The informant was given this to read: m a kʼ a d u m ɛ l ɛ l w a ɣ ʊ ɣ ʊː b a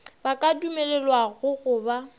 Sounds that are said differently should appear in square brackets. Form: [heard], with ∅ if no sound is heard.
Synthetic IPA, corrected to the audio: [b] a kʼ a d u m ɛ l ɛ l w a ɣ ʊ ɣ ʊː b a